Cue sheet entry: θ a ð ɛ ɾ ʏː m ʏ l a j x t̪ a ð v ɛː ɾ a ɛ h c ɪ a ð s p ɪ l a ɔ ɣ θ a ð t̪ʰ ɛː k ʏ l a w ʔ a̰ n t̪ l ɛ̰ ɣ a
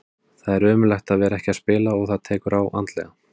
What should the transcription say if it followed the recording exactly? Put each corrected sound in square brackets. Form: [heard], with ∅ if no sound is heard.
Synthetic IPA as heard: θ a ð ɛ ɾ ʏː m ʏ l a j x t̪ a ð v ɛː ɾ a ɛ h c ɪ a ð s p [ɪː] l a ɔ ɣ θ a ð t̪ʰ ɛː k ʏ [ɾ] a w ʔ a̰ n t̪ l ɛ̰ ɣ a